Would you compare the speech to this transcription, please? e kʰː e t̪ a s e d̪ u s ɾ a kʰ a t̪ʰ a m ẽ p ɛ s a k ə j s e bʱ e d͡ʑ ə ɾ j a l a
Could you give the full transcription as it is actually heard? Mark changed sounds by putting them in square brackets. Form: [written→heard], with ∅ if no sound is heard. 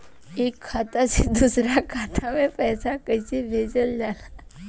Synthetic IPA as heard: e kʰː [e→a] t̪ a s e d̪ u s ɾ a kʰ a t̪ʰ a m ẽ p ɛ s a k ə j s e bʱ e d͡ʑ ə [ɾ→l] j a l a

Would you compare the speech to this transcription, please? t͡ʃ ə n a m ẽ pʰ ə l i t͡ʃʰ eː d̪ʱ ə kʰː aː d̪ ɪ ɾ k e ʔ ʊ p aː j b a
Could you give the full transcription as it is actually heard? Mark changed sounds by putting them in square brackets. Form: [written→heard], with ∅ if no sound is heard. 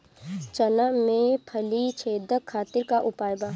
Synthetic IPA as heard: t͡ʃ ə n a m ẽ pʰ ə l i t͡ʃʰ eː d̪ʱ ə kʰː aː [d̪→t̪] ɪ ɾ k [e→a] ʔ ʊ p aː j b a

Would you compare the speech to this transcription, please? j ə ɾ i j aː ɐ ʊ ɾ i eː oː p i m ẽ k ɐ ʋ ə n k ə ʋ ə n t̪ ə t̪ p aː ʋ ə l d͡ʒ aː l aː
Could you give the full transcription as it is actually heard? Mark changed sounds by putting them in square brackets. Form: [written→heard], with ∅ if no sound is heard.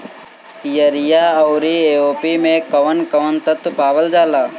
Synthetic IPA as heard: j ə ɾ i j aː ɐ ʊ ɾ i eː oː p i m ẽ k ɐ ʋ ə n k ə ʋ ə n t̪ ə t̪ p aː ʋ ə l d͡ʒ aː l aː

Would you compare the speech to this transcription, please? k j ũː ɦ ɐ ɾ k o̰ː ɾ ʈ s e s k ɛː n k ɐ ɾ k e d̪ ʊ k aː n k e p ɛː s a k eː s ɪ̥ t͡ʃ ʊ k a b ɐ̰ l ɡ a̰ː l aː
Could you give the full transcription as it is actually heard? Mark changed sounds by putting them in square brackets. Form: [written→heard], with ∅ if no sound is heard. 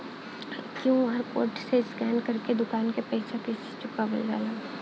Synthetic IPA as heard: k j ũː ɦ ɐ ɾ k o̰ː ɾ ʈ s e s k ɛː n k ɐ ɾ k e d̪ ʊ k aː n k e p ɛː s a k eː s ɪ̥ t͡ʃ ʊ k a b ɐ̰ l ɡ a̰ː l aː

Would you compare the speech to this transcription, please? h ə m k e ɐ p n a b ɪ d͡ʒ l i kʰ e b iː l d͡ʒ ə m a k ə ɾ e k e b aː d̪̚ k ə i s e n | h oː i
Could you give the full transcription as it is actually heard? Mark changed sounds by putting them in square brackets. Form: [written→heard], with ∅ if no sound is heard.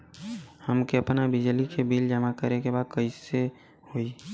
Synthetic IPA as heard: h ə m k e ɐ p n a b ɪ d͡ʒ l i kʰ e b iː l d͡ʒ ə m a k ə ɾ e k e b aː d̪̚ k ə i s e [n→∅] | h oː i

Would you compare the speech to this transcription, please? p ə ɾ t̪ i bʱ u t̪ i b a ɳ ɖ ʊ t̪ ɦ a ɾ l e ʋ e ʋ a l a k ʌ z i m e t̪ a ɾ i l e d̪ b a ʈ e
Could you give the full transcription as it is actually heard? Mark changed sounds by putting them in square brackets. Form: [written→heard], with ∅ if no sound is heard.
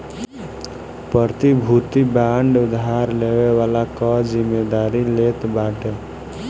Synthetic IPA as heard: p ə ɾ t̪ i bʱ u t̪ i b a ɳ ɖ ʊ [t̪→d̪] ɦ a ɾ l e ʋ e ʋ a l a k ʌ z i m e [t̪→d̪] a ɾ i l e [d̪→t̪] b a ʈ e

